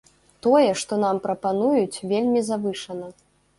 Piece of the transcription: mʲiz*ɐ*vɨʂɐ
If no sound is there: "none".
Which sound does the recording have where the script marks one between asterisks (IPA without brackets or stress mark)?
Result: a